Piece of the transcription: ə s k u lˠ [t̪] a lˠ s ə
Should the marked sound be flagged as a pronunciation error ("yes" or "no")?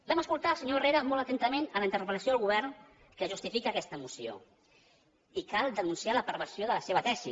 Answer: no